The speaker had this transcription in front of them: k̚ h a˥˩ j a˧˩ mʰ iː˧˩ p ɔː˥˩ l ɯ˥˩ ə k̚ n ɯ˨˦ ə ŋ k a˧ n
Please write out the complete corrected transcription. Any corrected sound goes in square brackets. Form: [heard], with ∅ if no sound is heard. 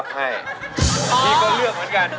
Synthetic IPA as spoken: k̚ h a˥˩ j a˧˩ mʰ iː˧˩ [k] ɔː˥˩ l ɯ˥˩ ə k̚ [m] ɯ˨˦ ə [n] k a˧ n